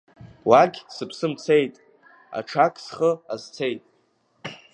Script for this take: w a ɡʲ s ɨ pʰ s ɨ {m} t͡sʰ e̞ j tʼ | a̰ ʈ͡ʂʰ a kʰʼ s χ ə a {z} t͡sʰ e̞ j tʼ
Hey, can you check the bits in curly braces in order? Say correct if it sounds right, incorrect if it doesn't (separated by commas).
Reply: correct, correct